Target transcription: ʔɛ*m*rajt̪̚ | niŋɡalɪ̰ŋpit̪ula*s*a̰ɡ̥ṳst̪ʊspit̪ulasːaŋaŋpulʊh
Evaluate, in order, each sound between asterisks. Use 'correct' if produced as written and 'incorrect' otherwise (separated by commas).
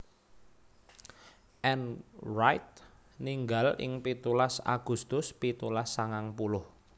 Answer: incorrect, correct